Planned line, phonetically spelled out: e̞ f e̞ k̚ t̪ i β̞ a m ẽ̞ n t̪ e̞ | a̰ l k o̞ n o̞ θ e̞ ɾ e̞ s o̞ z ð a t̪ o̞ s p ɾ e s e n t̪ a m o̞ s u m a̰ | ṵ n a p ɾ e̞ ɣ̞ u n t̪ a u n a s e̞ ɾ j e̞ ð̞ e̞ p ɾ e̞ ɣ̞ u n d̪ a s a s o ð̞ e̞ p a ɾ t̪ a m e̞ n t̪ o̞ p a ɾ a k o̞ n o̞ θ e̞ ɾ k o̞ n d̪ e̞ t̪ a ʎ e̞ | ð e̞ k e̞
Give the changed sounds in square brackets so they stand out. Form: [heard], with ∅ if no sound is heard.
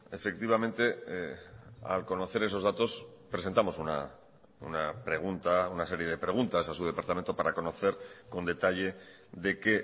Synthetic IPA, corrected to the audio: e̞ f e̞ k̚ t̪ i β̞ a m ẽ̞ n t̪ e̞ | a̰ l k o̞ n o̞ θ e̞ ɾ e̞ s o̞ z ð a t̪ o̞ s p ɾ e s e n t̪ a m o̞ s u [n] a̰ | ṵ n a p ɾ e̞ ɣ̞ u n t̪ a u n a s e̞ ɾ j e̞ ð̞ e̞ p ɾ e̞ ɣ̞ u n [t̪] a s a s [u] ð̞ e̞ p a ɾ t̪ a m e̞ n t̪ o̞ p a ɾ a k o̞ n o̞ θ e̞ ɾ k o̞ n d̪ e̞ t̪ a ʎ e̞ | ð e̞ k e̞